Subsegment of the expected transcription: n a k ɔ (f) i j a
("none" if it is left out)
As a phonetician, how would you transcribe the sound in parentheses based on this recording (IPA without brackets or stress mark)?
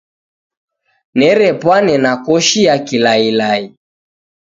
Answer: ʃ